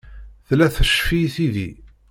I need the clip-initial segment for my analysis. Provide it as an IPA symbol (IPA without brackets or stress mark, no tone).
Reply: θ